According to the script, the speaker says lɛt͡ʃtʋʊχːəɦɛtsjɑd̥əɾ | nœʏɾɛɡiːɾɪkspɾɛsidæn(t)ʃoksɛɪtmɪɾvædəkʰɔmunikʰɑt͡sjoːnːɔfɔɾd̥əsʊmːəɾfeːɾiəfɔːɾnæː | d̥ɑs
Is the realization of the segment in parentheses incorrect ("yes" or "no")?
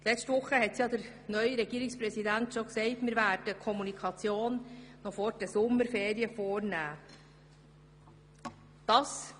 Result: no